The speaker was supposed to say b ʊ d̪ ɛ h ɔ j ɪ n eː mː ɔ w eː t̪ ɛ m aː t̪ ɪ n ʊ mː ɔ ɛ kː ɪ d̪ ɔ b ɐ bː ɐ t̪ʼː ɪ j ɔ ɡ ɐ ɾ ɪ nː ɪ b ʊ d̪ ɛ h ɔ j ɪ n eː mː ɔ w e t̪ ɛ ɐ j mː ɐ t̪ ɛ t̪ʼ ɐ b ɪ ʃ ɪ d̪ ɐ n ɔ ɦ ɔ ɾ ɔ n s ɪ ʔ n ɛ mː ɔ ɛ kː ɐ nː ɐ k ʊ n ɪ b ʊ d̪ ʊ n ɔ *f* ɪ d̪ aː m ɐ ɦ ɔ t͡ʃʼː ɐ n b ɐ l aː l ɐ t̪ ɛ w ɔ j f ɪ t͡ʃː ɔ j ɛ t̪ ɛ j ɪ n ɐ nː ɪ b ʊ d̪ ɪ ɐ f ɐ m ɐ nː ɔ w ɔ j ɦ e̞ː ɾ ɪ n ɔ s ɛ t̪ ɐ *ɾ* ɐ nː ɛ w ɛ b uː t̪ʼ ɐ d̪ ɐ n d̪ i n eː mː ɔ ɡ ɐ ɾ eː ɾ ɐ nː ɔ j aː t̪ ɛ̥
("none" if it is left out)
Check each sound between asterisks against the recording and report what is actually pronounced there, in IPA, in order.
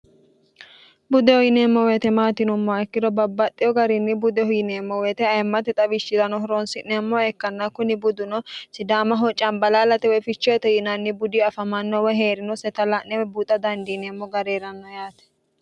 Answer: s, l

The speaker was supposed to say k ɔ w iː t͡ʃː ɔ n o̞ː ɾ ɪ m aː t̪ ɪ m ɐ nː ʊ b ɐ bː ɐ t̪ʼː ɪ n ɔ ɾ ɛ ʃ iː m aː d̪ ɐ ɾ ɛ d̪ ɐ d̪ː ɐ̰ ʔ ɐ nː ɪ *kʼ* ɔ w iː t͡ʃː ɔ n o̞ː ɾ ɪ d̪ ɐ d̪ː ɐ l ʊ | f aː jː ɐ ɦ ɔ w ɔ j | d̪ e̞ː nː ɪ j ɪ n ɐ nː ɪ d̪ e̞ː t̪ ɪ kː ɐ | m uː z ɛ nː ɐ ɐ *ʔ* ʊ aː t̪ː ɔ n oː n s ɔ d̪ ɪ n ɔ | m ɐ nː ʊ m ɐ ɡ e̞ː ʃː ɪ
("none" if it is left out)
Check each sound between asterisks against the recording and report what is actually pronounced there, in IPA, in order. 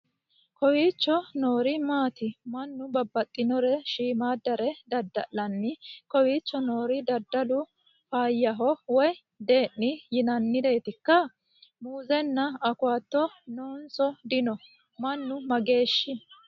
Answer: k, k

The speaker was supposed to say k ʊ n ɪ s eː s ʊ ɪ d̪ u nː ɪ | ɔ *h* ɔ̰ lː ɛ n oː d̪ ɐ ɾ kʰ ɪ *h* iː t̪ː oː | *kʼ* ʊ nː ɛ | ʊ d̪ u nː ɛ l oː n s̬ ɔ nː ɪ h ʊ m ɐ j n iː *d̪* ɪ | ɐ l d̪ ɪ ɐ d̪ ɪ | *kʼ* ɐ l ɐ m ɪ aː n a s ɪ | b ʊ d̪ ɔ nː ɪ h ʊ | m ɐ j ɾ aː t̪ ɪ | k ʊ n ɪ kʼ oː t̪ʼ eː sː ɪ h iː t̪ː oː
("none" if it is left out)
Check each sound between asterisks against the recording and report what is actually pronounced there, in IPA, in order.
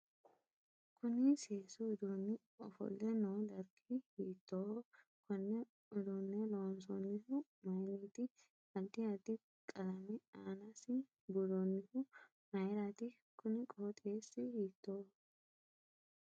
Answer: f, h, k, t̪, kʼ

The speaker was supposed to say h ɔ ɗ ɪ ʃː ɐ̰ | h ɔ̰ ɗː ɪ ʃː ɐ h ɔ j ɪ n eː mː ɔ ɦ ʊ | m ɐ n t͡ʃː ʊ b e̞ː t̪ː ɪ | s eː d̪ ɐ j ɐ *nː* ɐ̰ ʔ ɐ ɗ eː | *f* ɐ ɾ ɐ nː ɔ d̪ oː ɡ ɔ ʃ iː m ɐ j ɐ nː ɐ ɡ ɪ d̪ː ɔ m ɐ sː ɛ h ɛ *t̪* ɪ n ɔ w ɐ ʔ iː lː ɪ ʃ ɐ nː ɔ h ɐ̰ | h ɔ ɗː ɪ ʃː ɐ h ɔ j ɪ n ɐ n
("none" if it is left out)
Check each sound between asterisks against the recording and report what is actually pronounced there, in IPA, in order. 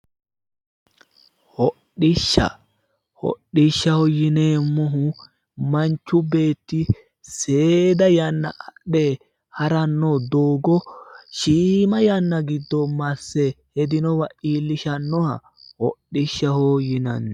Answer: nː, h, d̪

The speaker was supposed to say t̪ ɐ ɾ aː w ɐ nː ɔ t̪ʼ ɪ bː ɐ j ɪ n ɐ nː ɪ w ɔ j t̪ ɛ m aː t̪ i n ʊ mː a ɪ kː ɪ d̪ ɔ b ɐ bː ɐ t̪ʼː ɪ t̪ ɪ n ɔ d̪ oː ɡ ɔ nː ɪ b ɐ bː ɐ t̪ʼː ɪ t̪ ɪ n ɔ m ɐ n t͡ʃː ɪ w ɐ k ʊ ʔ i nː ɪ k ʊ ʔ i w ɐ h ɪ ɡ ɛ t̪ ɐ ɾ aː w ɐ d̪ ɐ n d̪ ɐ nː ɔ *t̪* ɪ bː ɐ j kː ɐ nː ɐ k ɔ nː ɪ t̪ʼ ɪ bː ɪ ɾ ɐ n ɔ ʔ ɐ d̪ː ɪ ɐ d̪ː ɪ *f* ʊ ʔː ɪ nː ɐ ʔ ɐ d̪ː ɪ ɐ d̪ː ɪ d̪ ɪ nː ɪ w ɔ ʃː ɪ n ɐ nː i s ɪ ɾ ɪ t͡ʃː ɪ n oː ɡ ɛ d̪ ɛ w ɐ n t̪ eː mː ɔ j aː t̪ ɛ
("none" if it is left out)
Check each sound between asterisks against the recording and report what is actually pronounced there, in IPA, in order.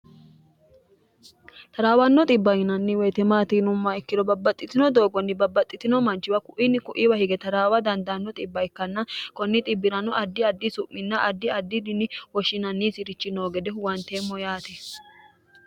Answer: t̪ʼ, s

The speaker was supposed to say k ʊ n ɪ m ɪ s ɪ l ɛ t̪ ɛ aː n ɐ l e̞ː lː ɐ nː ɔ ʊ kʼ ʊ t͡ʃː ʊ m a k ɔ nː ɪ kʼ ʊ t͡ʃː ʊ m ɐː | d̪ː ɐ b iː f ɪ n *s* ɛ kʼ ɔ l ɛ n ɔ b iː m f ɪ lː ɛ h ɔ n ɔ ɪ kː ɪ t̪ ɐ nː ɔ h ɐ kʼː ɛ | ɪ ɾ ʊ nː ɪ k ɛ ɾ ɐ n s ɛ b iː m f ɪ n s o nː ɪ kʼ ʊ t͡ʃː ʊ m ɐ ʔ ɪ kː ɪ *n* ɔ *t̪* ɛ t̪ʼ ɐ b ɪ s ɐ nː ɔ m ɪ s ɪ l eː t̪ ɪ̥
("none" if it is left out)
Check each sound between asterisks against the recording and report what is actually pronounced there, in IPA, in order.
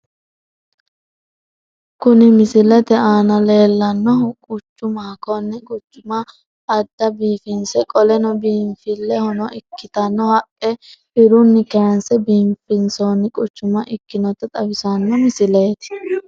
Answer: s, n, t̪

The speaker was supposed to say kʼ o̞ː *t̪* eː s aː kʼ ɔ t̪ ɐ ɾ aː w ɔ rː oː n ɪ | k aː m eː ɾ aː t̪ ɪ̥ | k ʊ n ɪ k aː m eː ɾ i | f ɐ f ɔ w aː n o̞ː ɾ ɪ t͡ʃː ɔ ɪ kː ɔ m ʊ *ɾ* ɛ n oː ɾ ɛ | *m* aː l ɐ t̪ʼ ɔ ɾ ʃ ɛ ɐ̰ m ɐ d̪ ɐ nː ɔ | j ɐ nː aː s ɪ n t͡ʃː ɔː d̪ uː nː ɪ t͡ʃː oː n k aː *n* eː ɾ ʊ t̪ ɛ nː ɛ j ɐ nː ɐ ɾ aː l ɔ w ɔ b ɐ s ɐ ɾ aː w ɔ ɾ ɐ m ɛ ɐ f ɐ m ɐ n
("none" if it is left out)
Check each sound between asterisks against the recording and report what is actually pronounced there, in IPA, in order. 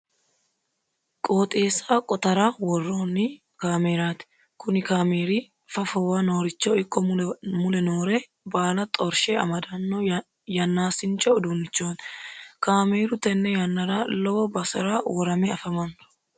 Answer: t̪ʼ, l, b, m

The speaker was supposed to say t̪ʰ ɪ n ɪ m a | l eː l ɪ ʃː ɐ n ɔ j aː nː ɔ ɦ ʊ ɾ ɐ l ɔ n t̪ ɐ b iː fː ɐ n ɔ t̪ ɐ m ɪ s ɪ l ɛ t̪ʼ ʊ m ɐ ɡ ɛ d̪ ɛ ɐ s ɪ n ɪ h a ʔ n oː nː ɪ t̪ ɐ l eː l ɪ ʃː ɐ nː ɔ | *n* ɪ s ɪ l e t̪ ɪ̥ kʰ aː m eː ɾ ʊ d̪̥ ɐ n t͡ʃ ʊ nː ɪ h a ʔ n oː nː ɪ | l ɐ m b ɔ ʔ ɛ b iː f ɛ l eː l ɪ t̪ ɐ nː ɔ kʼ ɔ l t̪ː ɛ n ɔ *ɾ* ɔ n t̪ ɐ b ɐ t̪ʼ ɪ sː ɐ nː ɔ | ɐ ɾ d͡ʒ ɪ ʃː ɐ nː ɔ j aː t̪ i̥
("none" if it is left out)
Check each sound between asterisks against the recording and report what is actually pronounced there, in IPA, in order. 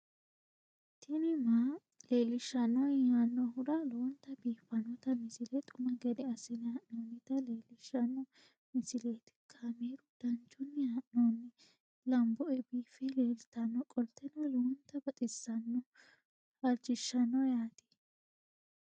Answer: m, l

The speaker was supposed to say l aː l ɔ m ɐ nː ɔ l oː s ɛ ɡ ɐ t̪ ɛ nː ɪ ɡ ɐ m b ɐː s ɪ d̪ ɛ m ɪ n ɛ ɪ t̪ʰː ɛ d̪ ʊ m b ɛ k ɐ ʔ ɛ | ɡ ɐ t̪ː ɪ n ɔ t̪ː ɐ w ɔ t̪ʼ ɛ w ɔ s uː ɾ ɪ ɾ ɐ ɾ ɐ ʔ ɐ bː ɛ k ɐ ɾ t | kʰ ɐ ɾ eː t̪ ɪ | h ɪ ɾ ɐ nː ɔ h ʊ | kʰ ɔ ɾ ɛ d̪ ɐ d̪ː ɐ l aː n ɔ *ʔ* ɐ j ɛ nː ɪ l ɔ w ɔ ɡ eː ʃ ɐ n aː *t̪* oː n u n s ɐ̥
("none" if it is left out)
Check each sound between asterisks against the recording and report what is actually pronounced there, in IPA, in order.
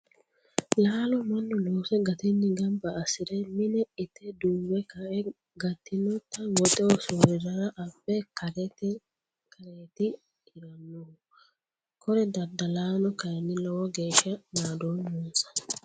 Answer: k, d̪

